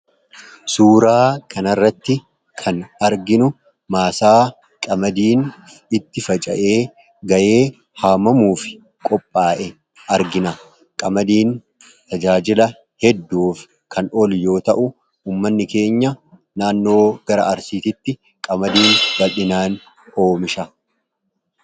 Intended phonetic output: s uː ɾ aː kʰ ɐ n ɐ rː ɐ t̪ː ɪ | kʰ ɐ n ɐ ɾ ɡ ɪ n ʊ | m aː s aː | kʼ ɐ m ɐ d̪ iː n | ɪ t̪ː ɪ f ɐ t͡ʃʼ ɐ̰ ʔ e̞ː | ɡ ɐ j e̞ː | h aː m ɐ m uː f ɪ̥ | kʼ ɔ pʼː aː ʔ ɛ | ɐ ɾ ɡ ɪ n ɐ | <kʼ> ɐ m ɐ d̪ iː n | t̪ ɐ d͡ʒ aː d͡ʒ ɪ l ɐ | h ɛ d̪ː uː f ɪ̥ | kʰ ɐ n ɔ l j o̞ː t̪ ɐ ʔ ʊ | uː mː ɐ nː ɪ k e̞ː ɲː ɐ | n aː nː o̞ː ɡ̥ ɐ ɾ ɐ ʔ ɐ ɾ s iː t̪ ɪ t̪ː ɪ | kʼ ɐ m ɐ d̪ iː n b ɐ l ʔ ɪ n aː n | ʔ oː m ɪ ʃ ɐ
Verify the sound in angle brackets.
correct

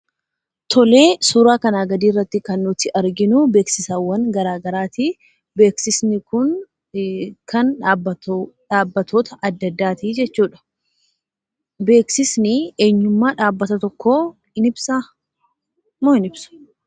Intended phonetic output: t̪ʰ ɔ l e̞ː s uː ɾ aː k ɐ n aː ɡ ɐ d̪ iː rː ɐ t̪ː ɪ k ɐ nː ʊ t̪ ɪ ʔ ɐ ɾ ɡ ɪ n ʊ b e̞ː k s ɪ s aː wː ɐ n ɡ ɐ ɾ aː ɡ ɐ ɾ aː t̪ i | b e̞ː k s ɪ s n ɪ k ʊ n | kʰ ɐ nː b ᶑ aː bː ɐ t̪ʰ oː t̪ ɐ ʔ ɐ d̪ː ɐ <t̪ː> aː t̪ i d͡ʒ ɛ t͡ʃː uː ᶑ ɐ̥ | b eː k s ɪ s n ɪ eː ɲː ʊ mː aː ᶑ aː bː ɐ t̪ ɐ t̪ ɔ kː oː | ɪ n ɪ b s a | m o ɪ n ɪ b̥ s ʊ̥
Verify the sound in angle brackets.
incorrect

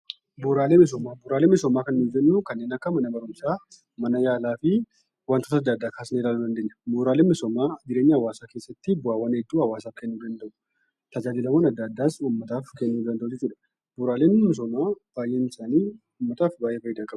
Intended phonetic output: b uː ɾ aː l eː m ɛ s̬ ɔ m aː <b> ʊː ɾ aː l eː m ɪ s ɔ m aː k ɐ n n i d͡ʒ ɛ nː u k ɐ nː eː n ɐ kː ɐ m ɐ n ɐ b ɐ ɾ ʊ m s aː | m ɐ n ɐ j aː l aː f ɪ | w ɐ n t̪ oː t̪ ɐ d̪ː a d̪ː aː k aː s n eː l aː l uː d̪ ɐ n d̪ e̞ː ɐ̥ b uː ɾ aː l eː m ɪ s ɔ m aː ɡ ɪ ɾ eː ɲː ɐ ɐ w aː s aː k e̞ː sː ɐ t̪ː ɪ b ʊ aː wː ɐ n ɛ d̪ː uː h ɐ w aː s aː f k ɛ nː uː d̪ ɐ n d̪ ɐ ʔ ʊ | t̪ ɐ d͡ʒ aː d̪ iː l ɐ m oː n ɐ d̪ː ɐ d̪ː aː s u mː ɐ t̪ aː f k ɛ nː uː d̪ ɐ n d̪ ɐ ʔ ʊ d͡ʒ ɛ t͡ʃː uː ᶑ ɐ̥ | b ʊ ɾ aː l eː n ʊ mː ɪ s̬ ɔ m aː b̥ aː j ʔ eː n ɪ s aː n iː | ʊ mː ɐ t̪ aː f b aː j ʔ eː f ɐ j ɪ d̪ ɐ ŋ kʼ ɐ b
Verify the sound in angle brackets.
correct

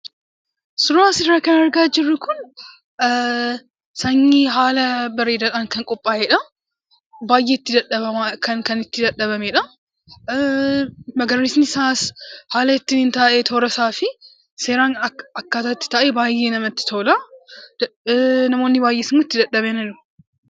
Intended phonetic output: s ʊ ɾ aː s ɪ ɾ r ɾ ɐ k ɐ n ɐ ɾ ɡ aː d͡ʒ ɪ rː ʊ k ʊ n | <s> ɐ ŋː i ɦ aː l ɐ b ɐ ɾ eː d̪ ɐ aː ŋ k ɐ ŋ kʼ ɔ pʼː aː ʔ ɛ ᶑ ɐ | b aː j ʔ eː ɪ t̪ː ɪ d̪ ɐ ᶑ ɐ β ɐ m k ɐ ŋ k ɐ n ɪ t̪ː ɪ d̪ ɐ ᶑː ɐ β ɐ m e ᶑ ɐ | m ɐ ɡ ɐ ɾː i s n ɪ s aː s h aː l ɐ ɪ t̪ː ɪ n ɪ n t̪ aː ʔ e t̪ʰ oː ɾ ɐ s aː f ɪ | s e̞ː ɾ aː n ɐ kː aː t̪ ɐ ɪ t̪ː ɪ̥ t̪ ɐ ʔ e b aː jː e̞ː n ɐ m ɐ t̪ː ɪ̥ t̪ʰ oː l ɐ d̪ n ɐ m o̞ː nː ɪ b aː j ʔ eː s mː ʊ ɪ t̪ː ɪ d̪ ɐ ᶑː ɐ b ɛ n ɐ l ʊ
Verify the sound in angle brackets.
correct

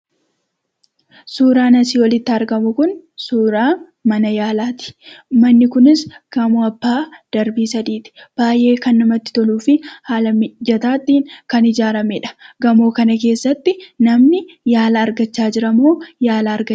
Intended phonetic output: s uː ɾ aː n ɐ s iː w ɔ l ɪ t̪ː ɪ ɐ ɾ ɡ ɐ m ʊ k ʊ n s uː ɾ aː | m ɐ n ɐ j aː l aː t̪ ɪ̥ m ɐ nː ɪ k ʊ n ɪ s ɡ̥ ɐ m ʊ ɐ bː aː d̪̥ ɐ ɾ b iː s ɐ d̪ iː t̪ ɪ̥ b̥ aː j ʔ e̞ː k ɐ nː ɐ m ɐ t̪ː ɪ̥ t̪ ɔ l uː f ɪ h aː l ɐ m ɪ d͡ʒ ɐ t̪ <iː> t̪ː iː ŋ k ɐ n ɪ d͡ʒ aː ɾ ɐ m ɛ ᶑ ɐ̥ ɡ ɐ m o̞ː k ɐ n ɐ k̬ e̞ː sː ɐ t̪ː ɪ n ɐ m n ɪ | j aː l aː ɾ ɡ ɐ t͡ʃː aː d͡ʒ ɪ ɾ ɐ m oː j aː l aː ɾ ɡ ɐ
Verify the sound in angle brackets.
incorrect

